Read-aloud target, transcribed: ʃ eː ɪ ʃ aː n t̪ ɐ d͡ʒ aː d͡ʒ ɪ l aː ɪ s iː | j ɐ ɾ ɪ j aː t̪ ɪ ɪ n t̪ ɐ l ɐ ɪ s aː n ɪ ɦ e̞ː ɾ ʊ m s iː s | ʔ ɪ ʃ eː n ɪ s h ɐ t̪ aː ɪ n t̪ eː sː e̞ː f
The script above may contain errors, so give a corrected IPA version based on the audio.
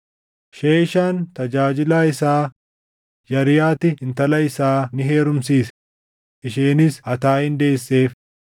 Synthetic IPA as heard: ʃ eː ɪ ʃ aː n t̪ ɐ d͡ʒ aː d͡ʒ ɪ l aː ɪ s aː | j ɐ ɾ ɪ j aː t̪ ɪ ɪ n t̪ ɐ l ɐ ɪ s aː n ɪ ɦ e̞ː ɾ ʊ m s iː s | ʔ ɪ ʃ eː n ɪ s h ɐ t̪ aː ɪ n d̪ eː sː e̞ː f